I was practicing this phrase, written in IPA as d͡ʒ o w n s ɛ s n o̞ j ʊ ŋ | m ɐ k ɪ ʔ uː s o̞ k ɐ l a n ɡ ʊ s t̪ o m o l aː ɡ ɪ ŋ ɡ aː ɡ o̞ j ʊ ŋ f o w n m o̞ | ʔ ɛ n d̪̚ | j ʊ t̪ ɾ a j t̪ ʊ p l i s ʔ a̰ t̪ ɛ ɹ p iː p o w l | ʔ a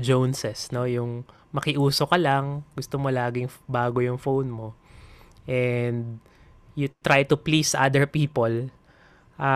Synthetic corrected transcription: d͡ʒ o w n s ɛ s n o̞ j ʊ ŋ | m ɐ k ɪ ʔ uː s o̞ k ɐ l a ŋ ɡ ʊ s t̪ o m o l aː ɡ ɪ ŋ b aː ɡ o̞ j ʊ ŋ f o w n m o̞ | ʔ ɛ n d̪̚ | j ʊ t̪ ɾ a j t̪ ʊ p l i s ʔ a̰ d̪ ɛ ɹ p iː p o l | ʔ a